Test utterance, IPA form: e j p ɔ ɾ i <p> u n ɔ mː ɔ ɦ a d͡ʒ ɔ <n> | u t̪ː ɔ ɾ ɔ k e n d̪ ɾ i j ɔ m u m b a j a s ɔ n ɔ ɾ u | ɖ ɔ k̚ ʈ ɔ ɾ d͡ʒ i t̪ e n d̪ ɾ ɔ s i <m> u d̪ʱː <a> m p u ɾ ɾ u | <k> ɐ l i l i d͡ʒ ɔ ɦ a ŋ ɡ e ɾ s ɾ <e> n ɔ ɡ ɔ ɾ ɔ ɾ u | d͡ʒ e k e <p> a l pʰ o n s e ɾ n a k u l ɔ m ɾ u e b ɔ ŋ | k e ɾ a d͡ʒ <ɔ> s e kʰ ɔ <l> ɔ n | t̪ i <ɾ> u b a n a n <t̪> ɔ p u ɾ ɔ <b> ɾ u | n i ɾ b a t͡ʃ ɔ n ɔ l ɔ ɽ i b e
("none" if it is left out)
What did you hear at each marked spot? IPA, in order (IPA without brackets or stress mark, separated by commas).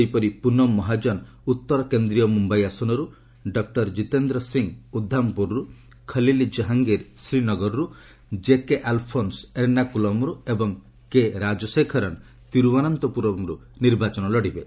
p, n, ŋ, a, kʰ, i, ʔ, ɔ, ɾ, ɾ, t̪, m